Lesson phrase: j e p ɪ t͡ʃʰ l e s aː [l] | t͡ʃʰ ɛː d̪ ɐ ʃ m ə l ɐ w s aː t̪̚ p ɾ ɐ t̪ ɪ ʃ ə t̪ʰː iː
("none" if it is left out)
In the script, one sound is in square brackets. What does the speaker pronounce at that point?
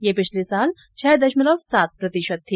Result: l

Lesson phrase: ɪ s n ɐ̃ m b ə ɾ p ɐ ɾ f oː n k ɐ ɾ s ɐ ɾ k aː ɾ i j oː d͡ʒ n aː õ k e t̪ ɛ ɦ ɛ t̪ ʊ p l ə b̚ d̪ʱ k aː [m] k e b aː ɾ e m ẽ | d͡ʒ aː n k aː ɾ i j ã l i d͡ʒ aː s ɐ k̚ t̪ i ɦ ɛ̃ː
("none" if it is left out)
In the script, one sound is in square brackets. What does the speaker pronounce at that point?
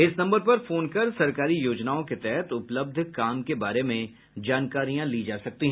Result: m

